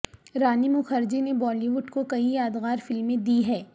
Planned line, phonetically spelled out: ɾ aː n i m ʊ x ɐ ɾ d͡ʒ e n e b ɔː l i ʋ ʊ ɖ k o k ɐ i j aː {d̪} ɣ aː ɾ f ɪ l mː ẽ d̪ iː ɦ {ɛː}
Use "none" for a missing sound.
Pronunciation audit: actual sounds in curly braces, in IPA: d̪, ɛː

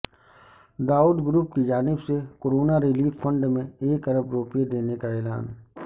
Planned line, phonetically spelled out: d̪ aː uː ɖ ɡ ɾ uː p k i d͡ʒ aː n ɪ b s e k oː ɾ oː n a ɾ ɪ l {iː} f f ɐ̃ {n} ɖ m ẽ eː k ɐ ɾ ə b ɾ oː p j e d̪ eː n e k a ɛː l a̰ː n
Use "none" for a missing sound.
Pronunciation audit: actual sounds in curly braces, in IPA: iː, ɳ

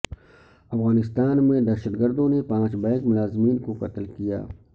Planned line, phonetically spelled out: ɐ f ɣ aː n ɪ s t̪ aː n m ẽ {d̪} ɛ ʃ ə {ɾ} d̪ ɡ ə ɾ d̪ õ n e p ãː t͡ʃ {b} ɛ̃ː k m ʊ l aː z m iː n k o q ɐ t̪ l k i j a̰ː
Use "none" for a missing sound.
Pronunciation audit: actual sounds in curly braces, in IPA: d̪, none, b

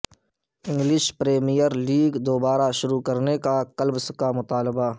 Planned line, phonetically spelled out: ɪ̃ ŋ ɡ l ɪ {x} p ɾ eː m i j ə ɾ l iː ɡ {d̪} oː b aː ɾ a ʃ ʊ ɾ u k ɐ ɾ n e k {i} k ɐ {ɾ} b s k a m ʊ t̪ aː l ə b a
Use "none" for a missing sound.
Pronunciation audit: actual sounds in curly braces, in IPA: ʃ, d̪, a, l

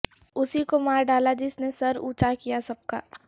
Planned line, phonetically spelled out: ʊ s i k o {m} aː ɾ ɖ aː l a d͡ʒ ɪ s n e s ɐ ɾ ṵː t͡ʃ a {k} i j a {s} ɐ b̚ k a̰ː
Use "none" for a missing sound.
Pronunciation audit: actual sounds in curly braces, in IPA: m, k, s

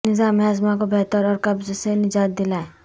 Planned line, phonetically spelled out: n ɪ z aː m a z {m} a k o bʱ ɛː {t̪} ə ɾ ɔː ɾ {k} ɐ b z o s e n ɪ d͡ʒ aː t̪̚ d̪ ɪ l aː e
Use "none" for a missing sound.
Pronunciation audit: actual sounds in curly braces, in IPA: m, t̪, k

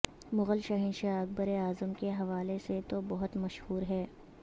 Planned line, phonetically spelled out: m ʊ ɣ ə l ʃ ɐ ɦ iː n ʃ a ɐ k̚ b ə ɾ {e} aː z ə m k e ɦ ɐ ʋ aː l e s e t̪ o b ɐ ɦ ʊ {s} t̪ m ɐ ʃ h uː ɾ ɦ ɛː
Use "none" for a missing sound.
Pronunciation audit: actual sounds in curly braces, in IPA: e, none

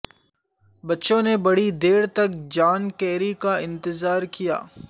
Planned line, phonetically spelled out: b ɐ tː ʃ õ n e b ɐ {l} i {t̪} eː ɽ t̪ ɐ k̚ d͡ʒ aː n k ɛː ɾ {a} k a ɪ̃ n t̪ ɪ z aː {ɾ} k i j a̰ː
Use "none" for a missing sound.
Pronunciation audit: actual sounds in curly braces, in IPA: ɽ, d̪, i, ɾ

